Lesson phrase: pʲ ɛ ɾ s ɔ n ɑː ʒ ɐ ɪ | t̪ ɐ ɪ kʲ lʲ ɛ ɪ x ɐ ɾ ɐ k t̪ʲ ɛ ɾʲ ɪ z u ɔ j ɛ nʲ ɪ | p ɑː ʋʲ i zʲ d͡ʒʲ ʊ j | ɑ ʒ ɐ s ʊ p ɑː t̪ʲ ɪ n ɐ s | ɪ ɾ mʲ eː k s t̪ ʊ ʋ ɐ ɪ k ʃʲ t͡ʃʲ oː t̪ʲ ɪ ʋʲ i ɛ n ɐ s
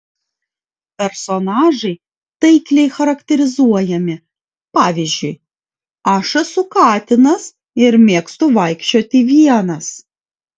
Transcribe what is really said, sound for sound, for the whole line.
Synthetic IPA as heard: pʲ ɛ ɾ s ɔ n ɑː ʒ ɐ ɪ | t̪ ɐ ɪ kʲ lʲ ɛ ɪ x ɐ ɾ ɐ k t̪ʲ ɛ ɾʲ ɪ z u ɔ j ɛ mʲ ɪ | p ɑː ʋʲ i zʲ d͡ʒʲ ʊ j | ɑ ʃ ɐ s ʊ k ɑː t̪ʲ ɪ n ɐ s | ɪ ɾ mʲ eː k s t̪ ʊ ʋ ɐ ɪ k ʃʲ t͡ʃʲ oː t̪ʲ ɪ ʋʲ i ɛ n ɐ s

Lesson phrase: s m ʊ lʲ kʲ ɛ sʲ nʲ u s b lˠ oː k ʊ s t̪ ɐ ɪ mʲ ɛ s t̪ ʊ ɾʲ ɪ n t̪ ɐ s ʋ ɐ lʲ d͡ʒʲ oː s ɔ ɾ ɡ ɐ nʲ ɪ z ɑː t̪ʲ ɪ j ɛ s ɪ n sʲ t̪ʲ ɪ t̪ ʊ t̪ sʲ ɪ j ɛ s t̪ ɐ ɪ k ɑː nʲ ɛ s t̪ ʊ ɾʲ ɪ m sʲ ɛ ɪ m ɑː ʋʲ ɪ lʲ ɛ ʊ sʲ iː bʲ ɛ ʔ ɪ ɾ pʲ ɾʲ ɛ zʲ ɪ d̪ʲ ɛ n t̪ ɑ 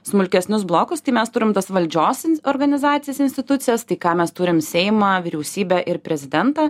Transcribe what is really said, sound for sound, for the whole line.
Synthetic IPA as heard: s m ʊ lʲ kʲ ɛ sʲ nʲ ʊ s b lˠ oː k ʊ s t̪ ɐ ɪ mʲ ɛ s t̪ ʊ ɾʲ ɪ m t̪ ɐ s ʋ ɐ lʲ d͡ʒʲ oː s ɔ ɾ ɡ ɐ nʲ ɪ z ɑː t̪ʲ ɪ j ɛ s ɪ n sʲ t̪ʲ ɪ t̪ ʊ t̪ sʲ ɪ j ɛ s t̪ ɐ ɪ k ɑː mʲ ɛ s t̪ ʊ ɾʲ ɪ m sʲ ɛ ɪ m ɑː ʋʲ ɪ ɾʲ ɛ ʊ sʲ iː bʲ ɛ ʔ ɪ ɾ pʲ ɾʲ ɛ zʲ ɪ d̪ʲ ɛ n t̪ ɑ

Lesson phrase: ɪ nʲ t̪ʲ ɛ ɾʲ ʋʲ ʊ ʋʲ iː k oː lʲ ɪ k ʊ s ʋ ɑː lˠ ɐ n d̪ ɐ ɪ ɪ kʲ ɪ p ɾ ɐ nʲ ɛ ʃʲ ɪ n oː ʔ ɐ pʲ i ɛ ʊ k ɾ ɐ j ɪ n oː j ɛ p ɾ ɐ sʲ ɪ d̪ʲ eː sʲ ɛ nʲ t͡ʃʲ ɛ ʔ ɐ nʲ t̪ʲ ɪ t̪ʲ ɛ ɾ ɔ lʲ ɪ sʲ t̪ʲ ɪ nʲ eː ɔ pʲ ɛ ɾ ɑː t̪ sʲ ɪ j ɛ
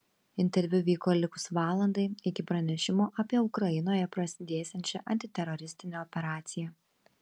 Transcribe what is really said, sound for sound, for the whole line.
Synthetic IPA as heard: ɪ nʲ t̪ʲ ɛ ɾʲ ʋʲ ʊ ʋʲ iː k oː lʲ ɪ k ʊ s ʋ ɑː lˠ ɐ n d̪ ɐ ɪ ɪ kʲ ɪ p ɾ ɐ nʲ ɛ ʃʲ ɪ m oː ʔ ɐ pʲ i ɛ ʊ k ɾ ɐ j ɪ n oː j ɛ p ɾ ɐ sʲ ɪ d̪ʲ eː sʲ ɛ nʲ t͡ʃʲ ɛ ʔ ɐ nʲ t̪ʲ ɪ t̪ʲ ɛ ɾ ɔ ɾʲ ɪ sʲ t̪ʲ ɪ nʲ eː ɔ pʲ ɛ ɾ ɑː t̪ sʲ ɪ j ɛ

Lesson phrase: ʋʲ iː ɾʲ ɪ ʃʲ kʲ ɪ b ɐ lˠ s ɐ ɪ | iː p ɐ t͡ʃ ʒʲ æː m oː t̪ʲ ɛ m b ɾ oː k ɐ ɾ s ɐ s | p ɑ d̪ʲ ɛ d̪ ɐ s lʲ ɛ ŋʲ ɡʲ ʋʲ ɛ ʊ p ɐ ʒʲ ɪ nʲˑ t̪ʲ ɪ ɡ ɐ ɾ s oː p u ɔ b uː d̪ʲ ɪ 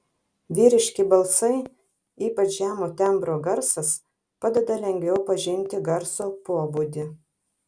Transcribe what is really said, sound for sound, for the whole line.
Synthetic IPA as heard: ʋʲ iː ɾʲ ɪ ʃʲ kʲ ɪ b ɐ lˠ s ɐ ɪ | iː p ɐ t͡ʃ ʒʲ æː m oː t̪ʲ ɛ m b ɾ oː ɡ ɐ ɾ s ɐ s | p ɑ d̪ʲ ɛ d̪ ɐ lʲ ɛ ŋʲ ɡʲ ʋʲ ɛ ʊ p ɐ ʒʲ ɪ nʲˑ t̪ʲ ɪ ɡ ɐ ɾ s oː p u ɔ b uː d̪ʲ ɪ

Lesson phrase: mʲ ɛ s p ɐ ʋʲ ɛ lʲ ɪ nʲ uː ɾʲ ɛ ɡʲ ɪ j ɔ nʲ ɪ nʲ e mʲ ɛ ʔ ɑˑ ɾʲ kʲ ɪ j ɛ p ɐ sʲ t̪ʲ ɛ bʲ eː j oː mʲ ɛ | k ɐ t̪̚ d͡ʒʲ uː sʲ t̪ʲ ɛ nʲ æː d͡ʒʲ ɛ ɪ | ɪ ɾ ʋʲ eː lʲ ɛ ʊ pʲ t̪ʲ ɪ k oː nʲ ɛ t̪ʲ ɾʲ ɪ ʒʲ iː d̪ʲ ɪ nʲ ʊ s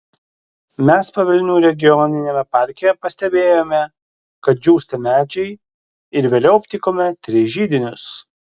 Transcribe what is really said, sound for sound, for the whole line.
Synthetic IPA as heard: mʲ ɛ s p ɐ ʋʲ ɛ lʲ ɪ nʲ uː ɾʲ ɛ ɡʲ ɪ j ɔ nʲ ɪ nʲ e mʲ ɛ p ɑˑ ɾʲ kʲ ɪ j ɛ p ɐ sʲ t̪ʲ ɛ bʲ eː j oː mʲ ɛ | k ɐ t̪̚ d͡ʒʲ uː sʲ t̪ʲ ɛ mʲ æː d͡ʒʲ ɛ ɪ | ɪ ɾ ʋʲ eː lʲ ɛ ʊ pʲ t̪ʲ ɪ k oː mʲ ɛ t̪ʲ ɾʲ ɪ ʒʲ iː d̪ʲ ɪ nʲ ʊ s

